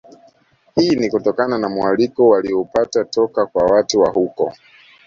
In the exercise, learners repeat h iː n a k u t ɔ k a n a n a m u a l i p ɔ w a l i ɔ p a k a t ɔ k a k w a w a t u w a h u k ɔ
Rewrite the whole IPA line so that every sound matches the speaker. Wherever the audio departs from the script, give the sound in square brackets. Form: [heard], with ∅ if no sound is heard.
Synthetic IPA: h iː n [i] k u t ɔ k a n a n a m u a l i [k] ɔ w a l i ɔ p a [t] a t ɔ k a k w a w a t u w a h u k ɔ